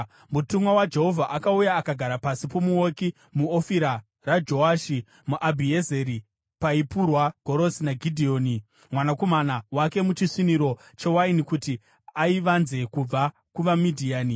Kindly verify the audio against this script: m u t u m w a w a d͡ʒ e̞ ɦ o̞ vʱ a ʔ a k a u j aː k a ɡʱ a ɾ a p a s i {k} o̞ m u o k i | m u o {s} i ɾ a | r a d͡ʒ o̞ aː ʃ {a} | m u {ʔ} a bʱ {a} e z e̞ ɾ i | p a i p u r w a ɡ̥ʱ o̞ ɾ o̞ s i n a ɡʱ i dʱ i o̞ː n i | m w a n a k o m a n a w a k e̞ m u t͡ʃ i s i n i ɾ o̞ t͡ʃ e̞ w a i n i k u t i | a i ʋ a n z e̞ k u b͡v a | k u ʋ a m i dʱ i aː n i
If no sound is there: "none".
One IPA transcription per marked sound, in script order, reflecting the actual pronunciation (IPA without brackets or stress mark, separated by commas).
p, f, i, ʔ, i